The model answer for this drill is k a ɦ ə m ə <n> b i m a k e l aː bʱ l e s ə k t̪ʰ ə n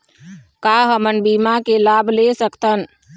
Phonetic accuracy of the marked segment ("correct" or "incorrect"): correct